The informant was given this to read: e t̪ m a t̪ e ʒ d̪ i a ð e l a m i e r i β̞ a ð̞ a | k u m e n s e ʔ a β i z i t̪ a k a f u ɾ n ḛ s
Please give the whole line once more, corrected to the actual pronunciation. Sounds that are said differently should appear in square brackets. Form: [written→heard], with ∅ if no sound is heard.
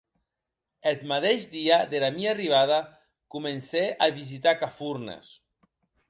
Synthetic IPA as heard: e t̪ m a t̪ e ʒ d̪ i a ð e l a m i [e→a] r i β̞ a ð̞ a | k u m e n s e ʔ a β i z i t̪ a k a f u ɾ n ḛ s